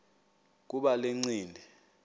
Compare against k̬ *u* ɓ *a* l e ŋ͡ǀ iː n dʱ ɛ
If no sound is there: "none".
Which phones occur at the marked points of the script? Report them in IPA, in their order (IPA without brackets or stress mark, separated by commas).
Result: u, a